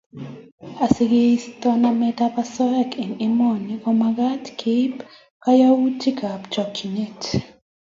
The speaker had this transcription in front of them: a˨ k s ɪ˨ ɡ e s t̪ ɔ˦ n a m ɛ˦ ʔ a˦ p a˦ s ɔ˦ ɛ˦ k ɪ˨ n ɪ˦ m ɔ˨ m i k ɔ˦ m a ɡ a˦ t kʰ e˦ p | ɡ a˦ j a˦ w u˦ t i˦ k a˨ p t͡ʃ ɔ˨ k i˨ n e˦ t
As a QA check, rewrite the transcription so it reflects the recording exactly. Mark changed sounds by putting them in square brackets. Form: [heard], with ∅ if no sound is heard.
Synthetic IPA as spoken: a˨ [∅] s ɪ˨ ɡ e s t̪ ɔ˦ n a m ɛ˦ [t] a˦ p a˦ s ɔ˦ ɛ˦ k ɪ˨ n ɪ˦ m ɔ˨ [n] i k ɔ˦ m a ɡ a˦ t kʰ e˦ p | [k] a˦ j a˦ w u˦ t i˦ k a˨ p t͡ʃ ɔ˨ k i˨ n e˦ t